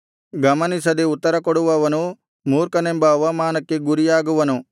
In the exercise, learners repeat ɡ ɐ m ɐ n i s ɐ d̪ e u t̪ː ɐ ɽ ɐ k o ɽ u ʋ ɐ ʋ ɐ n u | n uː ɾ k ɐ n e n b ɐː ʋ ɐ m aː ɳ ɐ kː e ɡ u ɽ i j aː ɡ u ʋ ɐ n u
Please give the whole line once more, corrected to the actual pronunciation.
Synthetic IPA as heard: ɡ ɐ m ɐ n i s ɐ d̪ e u t̪ː ɐ ɾ ɐ k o ɽ u ʋ ɐ ʋ ɐ n u | m uː ɾ k ɐ n e m b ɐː ʋ ɐ m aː n ɐ kː e ɡ u ɾ i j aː ɡ u ʋ ɐ n u